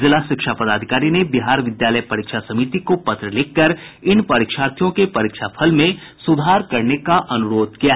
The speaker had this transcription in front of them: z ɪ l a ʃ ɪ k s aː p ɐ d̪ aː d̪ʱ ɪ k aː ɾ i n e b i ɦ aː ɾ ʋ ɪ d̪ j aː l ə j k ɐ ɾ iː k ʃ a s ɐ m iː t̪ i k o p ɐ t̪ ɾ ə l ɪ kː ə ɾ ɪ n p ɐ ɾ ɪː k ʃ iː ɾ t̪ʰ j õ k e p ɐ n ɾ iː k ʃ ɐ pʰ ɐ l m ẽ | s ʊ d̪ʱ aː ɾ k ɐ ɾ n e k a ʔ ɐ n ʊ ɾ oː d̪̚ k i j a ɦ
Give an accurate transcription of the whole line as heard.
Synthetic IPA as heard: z ɪ l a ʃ ɪ k ʃ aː p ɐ d̪ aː d̪ʱ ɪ k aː ɾ i n e b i ɦ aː ɾ ʋ ɪ d̪ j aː l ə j p ɐ ɾ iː k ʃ a s ɐ m iː t̪ i k o p ɐ t̪ ɾ ə l ɪ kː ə ɾ ɪ n p ɐ ɾ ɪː k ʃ aː ɾ t̪ʰ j õ k e p ɐ ɾ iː k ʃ a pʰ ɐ l m ẽ | s ʊ d̪ʱ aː ɾ k ɐ ɾ n e k a ʔ ɐ n ʊ ɾ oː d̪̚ k i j a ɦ